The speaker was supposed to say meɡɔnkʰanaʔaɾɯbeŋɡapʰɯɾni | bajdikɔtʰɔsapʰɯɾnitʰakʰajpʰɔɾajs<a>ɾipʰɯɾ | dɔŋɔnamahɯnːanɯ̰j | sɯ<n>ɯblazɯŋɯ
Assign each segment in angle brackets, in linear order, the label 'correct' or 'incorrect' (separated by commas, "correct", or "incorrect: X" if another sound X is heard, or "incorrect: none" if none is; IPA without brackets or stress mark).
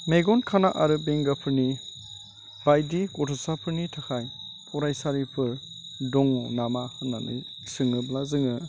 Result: correct, incorrect: ŋ